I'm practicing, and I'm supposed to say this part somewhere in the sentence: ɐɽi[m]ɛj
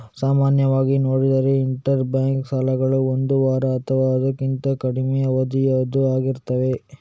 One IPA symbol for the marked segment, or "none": m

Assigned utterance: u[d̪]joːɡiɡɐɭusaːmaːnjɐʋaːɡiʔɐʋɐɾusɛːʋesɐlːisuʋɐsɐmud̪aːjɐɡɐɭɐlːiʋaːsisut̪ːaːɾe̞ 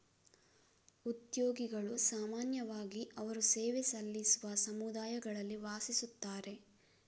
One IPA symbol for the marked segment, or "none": t̪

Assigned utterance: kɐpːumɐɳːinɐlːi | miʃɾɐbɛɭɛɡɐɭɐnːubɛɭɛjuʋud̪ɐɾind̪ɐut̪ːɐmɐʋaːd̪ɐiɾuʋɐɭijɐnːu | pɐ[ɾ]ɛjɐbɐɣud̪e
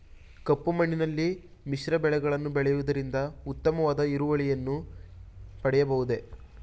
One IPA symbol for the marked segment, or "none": ɽ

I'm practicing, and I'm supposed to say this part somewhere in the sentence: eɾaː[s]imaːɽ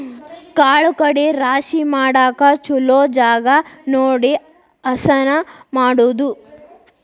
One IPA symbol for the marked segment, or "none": ʃ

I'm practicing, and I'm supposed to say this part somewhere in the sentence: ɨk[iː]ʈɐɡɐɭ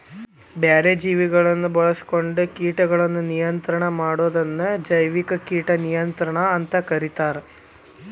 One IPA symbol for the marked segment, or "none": iː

